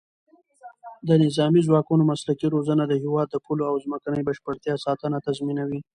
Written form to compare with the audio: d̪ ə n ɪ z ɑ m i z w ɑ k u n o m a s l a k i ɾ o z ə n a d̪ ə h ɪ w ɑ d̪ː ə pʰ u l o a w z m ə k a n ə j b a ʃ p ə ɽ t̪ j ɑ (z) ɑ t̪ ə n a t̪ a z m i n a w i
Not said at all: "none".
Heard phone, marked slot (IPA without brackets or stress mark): s